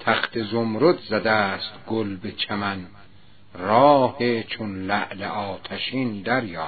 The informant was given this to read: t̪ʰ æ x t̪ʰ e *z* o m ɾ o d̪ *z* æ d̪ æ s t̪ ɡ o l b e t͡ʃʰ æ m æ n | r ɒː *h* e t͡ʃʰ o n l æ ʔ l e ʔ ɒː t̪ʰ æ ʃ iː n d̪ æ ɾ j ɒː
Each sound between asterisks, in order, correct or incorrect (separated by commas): correct, correct, correct